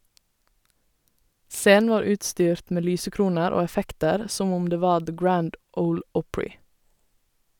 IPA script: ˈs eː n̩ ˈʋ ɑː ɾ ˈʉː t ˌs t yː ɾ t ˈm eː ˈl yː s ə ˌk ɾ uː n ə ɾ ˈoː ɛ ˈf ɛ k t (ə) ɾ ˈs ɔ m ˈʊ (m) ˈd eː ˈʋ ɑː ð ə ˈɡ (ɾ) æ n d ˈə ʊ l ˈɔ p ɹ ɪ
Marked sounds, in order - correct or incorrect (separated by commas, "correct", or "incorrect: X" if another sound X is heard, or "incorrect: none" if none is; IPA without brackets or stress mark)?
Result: correct, correct, incorrect: ɹ